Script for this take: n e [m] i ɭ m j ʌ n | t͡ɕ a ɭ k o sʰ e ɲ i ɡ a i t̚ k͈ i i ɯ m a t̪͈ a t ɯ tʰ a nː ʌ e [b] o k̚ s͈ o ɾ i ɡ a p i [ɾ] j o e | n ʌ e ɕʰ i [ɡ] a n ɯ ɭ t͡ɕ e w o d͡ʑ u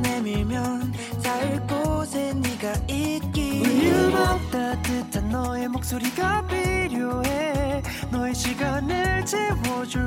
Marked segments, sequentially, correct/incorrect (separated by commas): correct, incorrect, correct, correct